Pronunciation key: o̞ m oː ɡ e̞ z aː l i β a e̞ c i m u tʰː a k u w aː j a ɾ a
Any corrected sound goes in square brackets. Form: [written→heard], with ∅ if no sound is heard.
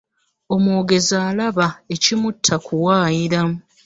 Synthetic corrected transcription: o̞ m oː ɡ e̞ z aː l [i→a] β a e̞ c i m u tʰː a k u w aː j [a→i] ɾ a